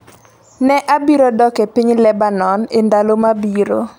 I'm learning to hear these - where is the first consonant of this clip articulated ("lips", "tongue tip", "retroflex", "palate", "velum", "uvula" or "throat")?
tongue tip